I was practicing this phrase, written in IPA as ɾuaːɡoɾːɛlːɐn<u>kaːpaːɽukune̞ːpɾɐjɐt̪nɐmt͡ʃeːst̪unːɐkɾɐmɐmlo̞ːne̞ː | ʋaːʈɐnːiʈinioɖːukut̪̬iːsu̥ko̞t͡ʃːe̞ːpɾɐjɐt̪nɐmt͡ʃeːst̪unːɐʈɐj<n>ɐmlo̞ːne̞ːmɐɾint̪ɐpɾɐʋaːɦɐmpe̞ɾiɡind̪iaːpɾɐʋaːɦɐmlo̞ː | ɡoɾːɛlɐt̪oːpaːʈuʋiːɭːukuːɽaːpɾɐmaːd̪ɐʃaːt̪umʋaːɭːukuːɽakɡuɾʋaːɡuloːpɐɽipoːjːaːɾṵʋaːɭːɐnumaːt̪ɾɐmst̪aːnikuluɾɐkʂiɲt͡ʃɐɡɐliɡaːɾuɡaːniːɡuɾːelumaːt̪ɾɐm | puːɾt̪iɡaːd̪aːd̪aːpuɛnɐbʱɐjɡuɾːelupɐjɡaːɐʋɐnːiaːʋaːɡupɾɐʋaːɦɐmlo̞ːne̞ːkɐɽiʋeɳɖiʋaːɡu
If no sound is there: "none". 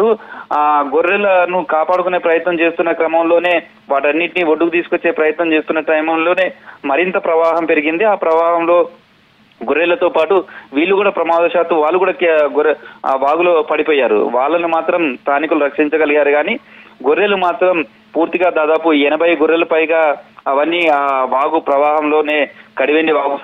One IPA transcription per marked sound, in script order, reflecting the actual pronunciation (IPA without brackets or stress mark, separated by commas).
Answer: u, m